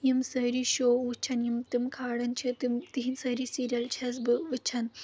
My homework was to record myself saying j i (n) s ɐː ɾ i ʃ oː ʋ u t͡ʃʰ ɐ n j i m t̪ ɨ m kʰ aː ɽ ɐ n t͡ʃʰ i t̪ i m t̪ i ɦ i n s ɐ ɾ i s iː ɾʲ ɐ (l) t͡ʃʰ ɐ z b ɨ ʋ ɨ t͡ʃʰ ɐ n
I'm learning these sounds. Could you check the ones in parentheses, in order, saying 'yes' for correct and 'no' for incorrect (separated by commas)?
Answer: no, yes